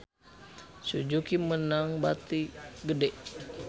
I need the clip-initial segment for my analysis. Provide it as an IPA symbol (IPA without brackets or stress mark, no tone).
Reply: s